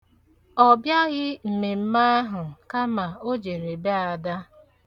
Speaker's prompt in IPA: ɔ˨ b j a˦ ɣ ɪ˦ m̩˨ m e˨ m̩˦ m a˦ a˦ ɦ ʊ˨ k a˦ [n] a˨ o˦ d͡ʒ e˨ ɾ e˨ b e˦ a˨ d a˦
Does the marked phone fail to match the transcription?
yes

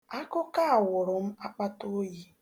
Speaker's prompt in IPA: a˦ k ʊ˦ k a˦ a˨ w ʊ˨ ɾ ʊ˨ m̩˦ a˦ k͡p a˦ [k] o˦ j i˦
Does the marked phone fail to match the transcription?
yes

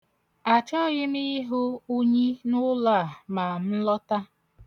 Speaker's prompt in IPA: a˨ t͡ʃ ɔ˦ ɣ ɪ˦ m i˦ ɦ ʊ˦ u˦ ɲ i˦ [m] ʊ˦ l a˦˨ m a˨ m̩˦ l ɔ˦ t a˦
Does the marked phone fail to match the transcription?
yes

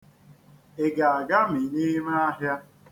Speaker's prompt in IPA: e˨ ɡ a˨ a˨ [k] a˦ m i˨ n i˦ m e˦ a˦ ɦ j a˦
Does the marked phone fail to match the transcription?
yes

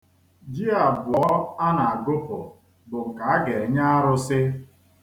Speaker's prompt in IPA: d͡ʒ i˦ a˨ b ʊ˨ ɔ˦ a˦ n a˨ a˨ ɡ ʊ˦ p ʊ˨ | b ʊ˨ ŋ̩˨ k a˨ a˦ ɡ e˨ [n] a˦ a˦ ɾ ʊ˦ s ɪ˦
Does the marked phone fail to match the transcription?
yes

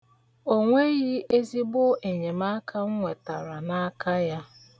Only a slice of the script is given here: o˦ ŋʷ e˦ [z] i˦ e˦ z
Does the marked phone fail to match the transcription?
yes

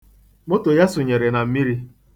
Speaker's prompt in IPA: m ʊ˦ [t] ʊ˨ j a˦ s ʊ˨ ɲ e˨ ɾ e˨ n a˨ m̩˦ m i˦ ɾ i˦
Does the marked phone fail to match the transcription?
no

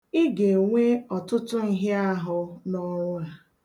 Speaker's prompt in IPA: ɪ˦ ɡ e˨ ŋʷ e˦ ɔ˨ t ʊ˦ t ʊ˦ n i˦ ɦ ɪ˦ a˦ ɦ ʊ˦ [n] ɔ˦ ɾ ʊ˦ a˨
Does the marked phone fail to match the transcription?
no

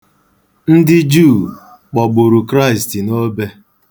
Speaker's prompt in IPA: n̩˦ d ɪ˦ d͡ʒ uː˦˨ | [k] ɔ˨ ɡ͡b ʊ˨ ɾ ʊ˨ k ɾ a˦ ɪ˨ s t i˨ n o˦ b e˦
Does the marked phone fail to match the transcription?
yes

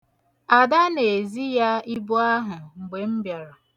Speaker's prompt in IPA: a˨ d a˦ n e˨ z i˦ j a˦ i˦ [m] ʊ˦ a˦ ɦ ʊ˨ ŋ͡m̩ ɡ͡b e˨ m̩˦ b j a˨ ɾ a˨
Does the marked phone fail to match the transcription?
yes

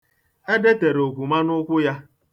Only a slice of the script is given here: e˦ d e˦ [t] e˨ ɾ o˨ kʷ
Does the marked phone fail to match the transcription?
no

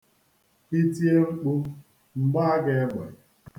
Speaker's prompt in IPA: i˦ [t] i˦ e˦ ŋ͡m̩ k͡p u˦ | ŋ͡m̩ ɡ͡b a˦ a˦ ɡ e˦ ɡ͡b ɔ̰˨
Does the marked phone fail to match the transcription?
no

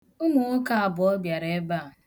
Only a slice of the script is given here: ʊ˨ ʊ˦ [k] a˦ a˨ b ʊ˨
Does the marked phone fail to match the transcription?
no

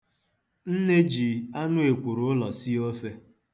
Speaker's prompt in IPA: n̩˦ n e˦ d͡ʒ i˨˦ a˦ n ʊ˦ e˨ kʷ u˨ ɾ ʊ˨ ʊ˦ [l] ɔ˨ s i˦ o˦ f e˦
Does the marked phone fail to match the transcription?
no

